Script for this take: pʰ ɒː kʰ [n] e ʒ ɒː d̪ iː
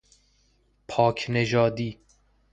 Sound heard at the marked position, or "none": n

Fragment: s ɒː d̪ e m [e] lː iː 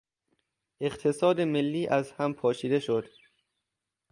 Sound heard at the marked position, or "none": e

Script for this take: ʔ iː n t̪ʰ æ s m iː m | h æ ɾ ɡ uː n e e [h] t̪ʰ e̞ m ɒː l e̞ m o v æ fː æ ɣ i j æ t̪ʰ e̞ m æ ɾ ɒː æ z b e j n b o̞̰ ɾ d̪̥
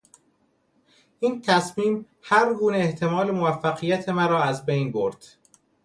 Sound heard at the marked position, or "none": h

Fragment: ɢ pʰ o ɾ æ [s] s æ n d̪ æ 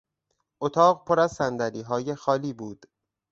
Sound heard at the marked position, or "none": z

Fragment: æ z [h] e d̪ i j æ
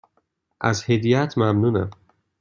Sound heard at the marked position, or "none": h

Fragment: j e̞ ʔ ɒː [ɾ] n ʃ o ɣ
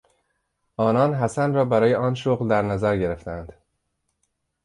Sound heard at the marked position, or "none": none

